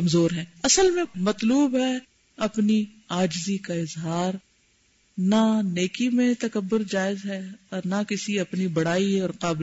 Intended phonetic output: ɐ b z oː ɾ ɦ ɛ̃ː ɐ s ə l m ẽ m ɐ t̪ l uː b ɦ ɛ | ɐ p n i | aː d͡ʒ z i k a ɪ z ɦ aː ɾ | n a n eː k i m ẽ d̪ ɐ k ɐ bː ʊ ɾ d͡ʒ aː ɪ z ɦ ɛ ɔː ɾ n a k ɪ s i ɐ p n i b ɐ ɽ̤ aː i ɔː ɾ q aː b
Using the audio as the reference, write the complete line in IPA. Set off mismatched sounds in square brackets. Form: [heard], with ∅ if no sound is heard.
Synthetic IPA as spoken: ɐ [m] z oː ɾ ɦ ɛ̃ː ɐ s ə l m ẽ m ɐ t̪ l uː b ɦ ɛ | ɐ p n i | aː d͡ʒ z i k a ɪ z ɦ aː ɾ | n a n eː k i m ẽ [t̪] ɐ k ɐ bː ʊ ɾ d͡ʒ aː ɪ z ɦ ɛ ɔː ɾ n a k ɪ s i ɐ p n i b ɐ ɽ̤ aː i ɔː ɾ q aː b